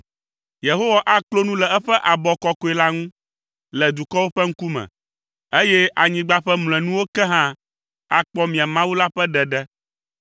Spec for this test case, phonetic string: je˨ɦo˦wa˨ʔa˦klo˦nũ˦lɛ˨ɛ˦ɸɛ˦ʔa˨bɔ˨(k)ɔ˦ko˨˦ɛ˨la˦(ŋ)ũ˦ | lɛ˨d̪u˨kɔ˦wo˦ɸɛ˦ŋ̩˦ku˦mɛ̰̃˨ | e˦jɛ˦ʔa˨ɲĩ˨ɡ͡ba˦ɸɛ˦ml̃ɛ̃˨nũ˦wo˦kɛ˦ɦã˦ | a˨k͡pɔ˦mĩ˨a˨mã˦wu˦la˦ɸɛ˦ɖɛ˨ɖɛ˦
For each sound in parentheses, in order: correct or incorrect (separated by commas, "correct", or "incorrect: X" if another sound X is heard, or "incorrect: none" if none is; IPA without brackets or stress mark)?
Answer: correct, correct